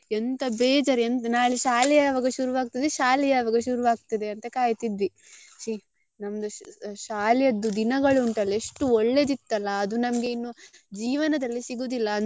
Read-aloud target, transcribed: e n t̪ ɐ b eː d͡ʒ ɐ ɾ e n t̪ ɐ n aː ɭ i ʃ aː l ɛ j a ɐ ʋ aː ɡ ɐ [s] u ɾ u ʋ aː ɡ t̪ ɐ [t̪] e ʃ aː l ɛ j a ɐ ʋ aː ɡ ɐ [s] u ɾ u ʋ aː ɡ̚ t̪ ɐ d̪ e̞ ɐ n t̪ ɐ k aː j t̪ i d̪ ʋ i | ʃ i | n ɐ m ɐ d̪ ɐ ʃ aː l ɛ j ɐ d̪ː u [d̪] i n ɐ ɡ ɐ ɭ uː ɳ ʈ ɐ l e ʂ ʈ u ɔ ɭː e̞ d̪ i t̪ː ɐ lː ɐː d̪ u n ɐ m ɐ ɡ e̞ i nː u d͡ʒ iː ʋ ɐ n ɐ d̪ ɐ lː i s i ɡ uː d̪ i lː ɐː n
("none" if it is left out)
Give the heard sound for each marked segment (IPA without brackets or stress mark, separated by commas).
ʃ, d̪, ʃ, d̪